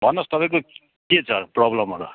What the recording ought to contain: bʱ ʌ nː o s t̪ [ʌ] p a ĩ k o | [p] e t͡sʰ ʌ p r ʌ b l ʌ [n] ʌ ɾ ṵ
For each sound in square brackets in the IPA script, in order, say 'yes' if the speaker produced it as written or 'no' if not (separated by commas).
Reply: yes, no, no